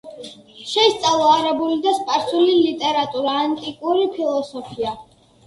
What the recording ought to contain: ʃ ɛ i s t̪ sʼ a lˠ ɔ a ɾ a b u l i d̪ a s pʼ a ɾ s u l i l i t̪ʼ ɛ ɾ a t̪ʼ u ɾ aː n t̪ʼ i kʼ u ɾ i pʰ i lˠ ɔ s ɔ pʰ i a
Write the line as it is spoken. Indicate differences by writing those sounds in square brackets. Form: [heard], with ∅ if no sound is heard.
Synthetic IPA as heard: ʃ ɛ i s t̪ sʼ a lˠ ɔ a ɾ [ɛ] b u l i d̪ a s pʼ a ɾ s u l i l i t̪ʼ ɛ ɾ a t̪ʼ u ɾ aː n t̪ʼ i kʼ u ɾ i pʰ i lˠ ɔ s ɔ pʰ i a

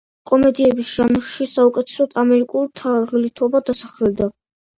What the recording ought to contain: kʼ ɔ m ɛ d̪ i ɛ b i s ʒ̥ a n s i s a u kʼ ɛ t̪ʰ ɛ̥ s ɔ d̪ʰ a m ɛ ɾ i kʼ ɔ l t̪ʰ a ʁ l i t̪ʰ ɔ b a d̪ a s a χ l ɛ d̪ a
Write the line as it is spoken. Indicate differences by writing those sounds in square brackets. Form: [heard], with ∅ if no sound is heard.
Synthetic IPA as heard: kʼ ɔ m ɛ d̪ i ɛ b i s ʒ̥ a n [ʃ] i s a u kʼ ɛ t̪ʰ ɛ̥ s ɔ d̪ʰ a m ɛ ɾ i kʼ [u] l t̪ʰ a ʁ l i t̪ʰ ɔ b a d̪ a s a χ l ɛ d̪ a

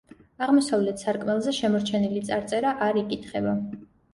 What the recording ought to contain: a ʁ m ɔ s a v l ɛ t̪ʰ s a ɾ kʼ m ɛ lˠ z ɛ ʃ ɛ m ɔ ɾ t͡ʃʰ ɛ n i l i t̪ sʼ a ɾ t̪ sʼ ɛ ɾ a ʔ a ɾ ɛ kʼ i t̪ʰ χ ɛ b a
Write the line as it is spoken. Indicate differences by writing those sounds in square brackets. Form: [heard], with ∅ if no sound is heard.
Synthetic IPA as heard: a ʁ m ɔ s a v l ɛ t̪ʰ s a ɾ kʼ m ɛ lˠ z ɛ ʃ ɛ m ɔ ɾ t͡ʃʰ ɛ n i l i t̪ sʼ a ɾ t̪ sʼ ɛ ɾ a ʔ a ɾ [i] kʼ i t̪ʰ χ ɛ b a

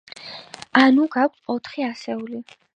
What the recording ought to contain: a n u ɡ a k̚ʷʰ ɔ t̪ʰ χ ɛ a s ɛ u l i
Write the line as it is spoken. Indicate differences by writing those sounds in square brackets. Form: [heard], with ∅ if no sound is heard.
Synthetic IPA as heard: a n u ɡ a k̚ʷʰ ɔ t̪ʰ χ [i] a s ɛ u l i

